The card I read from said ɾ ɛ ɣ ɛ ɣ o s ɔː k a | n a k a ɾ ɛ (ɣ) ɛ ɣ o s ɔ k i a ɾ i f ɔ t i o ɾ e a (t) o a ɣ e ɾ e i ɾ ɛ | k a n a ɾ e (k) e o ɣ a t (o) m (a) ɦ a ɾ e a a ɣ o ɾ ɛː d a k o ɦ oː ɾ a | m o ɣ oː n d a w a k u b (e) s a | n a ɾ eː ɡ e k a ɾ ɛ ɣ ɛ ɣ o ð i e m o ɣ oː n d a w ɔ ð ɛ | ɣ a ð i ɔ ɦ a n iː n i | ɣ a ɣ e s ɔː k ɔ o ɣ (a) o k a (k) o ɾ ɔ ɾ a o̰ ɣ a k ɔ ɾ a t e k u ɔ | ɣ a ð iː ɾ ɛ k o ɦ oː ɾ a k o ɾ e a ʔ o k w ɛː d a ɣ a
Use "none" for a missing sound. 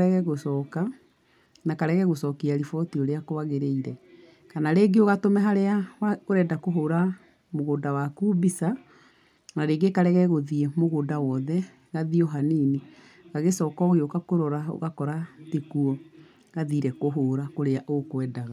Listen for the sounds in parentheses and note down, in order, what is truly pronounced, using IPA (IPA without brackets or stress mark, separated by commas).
ɣ, k, ɡ, o, ɛ, i, e, k